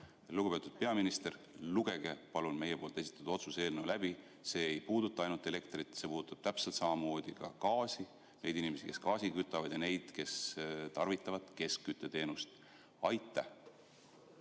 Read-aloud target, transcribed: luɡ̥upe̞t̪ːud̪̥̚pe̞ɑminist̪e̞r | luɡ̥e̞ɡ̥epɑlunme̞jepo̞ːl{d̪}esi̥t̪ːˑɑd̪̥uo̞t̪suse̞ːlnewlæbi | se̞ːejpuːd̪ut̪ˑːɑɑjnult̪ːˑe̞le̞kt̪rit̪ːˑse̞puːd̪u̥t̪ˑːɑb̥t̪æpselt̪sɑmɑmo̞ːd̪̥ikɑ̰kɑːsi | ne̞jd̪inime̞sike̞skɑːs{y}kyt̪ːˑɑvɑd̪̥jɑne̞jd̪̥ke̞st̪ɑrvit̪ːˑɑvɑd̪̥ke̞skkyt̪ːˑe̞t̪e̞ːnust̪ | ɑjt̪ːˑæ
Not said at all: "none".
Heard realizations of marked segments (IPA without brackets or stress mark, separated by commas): t̪, i